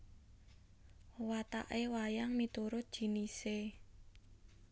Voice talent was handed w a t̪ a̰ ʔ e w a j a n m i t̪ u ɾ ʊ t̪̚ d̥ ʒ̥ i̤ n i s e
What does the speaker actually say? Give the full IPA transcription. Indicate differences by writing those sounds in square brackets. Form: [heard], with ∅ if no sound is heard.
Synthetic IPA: w a t̪ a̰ ʔ e w a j a [ŋ] m i t̪ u ɾ ʊ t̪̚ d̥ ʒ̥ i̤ n i s e